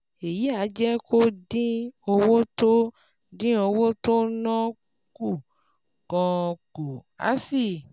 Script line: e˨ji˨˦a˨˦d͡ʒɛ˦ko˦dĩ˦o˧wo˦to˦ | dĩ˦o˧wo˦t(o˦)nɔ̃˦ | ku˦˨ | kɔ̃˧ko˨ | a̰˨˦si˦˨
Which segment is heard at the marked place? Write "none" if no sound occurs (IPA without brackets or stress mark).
o˦